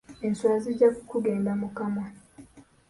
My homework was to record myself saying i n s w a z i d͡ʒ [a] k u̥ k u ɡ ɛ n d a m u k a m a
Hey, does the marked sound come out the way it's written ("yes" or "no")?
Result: yes